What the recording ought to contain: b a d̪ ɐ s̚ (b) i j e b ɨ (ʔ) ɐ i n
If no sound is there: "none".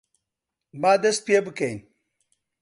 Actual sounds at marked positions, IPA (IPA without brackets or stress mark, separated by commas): p, k